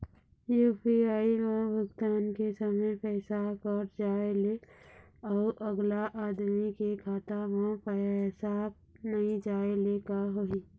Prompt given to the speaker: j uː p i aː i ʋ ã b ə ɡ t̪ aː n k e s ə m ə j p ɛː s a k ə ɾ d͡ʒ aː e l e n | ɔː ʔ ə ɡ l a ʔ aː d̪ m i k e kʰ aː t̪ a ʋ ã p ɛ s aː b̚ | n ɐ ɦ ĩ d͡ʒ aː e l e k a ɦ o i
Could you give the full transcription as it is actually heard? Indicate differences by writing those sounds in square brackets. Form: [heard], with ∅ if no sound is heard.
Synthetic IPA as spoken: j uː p i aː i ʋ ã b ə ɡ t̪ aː n k e s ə m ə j p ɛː s a k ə ɾ d͡ʒ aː e l e [∅] | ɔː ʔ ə ɡ l a ʔ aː d̪ m i k e kʰ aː t̪ a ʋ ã p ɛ s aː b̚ | n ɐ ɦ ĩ d͡ʒ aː e l e k a ɦ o i